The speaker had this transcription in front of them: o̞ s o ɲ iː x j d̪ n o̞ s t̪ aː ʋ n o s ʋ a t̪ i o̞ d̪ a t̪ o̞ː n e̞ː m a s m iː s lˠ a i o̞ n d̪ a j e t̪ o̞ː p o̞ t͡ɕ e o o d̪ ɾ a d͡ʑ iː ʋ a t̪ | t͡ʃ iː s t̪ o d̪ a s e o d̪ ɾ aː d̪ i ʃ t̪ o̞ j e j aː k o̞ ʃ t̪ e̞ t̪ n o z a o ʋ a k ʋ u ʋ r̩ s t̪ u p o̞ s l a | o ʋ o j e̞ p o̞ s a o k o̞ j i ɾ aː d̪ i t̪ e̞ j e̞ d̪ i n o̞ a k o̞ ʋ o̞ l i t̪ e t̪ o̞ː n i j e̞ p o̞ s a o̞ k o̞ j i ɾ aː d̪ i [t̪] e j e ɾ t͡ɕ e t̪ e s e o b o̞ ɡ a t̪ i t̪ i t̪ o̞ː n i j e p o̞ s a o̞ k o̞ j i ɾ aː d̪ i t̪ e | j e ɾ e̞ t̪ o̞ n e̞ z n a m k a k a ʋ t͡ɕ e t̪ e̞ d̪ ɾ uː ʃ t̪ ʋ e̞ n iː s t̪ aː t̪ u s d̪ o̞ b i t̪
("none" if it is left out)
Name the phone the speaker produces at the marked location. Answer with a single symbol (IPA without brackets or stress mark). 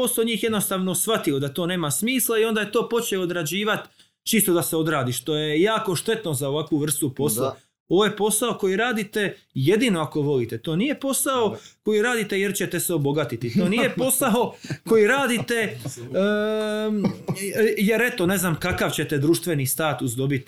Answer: t̪